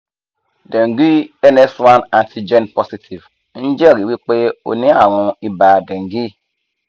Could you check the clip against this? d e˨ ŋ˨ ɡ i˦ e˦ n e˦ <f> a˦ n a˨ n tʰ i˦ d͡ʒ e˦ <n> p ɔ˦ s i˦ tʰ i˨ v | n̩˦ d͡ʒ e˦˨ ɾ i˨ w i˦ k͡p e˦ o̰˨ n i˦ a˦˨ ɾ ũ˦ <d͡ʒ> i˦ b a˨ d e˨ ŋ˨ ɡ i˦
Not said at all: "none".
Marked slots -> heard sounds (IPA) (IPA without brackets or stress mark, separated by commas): s, n, none